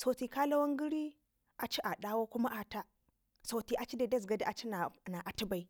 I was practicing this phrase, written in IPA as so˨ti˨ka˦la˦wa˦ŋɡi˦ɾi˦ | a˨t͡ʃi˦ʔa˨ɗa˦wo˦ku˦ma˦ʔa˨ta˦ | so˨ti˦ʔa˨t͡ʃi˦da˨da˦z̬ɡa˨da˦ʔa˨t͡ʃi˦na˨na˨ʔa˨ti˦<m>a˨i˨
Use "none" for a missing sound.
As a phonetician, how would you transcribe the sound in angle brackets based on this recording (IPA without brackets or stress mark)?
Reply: b